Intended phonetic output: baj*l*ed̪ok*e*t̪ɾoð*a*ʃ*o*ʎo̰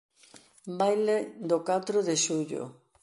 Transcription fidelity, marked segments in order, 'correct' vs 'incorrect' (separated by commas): correct, incorrect, incorrect, incorrect